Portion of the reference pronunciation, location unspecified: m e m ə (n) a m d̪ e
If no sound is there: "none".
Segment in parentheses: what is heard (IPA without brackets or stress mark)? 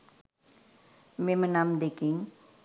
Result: n